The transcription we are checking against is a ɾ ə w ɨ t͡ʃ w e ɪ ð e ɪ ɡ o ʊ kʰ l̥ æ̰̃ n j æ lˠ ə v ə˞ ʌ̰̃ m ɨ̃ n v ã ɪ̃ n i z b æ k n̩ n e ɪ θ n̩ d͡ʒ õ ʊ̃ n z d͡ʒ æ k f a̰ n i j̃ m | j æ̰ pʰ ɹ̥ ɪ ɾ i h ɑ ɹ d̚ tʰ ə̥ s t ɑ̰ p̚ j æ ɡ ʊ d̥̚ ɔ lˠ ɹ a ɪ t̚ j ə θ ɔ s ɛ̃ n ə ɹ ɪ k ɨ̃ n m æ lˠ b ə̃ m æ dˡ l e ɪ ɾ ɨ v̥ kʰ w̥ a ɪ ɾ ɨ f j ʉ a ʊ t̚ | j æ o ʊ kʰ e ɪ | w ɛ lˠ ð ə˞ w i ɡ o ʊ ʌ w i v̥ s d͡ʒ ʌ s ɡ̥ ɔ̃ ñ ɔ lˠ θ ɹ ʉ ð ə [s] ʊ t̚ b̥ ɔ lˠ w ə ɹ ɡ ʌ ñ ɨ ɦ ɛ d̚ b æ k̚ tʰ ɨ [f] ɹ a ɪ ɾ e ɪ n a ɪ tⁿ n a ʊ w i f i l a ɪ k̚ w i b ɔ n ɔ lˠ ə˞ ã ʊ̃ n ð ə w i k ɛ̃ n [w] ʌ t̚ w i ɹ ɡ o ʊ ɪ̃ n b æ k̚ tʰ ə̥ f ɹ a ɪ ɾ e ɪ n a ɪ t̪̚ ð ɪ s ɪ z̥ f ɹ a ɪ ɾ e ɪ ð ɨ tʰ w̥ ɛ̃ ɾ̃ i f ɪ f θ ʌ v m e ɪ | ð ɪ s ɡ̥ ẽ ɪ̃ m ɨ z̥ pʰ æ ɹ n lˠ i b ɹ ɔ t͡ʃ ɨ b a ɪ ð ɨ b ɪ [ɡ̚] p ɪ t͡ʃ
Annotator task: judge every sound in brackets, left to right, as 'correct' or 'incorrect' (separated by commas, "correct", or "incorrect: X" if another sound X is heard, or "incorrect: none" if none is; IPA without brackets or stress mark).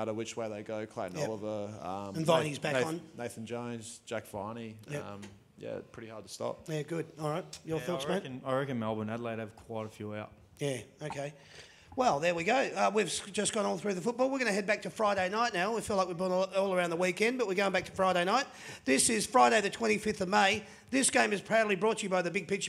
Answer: incorrect: f, correct, incorrect: b, correct